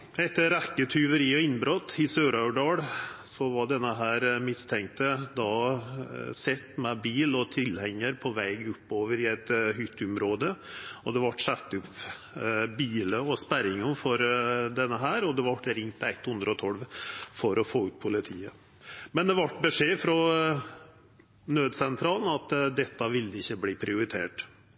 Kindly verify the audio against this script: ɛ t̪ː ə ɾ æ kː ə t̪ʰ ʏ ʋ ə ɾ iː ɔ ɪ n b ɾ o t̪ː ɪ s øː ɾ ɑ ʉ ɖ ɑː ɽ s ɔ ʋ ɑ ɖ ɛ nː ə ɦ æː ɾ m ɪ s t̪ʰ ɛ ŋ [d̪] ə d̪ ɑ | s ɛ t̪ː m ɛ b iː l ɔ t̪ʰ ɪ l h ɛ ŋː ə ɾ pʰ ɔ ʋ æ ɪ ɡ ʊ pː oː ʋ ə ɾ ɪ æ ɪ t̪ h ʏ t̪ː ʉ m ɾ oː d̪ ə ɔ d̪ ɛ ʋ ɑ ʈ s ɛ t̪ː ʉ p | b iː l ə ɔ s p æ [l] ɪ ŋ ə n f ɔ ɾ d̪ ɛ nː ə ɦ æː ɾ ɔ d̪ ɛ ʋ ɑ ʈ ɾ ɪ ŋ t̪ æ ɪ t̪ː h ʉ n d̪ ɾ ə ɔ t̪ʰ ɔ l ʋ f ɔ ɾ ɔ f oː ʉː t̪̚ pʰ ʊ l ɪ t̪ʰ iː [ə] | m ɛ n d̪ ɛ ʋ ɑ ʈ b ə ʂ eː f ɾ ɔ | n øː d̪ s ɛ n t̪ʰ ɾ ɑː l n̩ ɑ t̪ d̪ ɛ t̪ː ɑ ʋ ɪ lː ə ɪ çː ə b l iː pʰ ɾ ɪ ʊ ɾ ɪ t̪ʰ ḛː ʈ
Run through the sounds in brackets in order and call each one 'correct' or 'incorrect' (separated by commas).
incorrect, incorrect, correct